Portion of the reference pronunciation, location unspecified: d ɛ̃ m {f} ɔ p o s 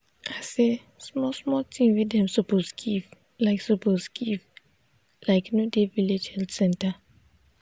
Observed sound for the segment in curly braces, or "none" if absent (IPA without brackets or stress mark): s